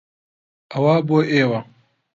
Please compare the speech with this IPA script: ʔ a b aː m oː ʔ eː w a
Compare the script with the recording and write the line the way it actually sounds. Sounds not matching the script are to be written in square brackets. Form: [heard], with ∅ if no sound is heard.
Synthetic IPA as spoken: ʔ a [w] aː [b] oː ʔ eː w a